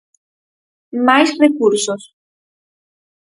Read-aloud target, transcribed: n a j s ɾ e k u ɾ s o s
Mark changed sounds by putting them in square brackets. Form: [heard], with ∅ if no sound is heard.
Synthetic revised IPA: [m] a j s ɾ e k u ɾ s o s